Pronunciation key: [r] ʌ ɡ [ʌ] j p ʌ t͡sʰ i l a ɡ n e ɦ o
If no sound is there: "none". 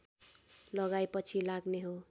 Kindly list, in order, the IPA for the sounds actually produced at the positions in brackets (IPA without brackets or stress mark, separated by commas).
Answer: l, a